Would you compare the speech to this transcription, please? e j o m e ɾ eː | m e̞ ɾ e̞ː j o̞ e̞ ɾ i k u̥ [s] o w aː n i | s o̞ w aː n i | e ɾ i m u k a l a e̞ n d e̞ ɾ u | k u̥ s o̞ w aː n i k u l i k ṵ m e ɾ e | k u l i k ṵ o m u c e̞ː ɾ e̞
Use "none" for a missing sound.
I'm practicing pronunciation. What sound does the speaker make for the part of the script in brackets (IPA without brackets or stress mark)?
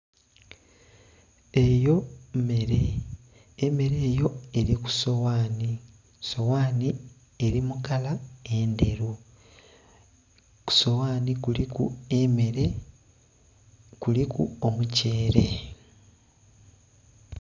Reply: s